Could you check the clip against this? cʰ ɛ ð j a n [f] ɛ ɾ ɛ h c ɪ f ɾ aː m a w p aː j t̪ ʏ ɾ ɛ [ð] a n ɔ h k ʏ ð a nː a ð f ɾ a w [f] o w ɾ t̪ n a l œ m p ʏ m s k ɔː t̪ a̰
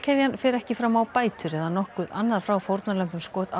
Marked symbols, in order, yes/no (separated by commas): yes, yes, yes